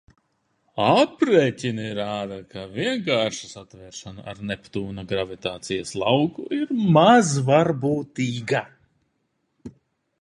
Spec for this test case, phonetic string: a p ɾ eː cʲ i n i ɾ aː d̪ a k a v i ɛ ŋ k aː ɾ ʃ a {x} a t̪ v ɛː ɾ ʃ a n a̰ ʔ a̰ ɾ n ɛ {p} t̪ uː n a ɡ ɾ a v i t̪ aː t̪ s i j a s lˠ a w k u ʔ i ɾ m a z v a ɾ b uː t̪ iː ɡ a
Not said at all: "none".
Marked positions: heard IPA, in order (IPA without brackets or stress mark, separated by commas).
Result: s, p